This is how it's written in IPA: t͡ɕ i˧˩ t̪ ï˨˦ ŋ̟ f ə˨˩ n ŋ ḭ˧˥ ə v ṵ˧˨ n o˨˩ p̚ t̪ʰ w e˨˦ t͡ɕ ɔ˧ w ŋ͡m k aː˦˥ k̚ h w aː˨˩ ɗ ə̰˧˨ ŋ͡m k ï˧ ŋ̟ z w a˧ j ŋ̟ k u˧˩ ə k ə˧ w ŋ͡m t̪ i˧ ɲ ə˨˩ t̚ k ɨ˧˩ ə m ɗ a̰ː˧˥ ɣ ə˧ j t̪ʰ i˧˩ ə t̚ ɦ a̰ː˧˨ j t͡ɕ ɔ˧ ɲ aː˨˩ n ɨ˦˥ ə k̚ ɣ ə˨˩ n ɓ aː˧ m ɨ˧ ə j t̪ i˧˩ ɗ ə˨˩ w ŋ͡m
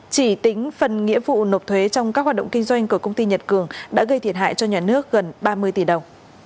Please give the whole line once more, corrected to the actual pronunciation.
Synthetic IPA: t͡ɕ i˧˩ t̪ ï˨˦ ŋ̟ f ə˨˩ n ŋ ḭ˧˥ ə v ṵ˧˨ n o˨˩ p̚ t̪ʰ w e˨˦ t͡ɕ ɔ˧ w ŋ͡m k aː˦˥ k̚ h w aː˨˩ ɗ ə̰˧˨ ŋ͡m k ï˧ ŋ̟ z w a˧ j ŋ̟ k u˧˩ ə k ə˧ w ŋ͡m t̪ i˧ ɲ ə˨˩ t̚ k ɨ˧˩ ə ŋ ɗ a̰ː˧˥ ɣ ə˧ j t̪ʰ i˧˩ ə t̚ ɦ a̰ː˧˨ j t͡ɕ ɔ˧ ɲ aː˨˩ n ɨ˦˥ ə k̚ ɣ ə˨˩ n ɓ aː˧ m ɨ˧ ə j t̪ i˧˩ ɗ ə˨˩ w ŋ͡m